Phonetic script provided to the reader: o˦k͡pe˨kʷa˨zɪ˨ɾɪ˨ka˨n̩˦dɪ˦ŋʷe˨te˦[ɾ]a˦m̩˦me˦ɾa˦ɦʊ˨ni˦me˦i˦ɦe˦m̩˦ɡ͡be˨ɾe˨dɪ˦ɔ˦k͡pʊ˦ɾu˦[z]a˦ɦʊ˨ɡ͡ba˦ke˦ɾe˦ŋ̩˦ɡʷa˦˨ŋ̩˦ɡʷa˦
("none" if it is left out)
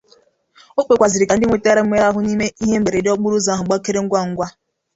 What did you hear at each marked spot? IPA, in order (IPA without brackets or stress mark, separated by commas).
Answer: ɾ, z